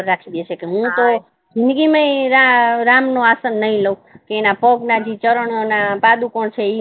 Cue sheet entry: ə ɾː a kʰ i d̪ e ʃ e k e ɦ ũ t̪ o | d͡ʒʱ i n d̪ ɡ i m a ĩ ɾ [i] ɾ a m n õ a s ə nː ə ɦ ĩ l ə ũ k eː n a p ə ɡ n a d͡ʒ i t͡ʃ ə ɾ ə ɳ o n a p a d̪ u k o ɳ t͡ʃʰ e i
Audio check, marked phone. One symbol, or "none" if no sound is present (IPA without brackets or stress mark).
a